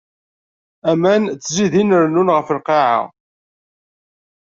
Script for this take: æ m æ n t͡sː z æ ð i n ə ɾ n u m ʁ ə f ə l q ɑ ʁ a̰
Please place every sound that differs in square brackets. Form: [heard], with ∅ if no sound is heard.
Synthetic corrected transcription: æ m æ n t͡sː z [i] ð i n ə ɾ n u [n] ʁ ə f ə l q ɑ [ʕ] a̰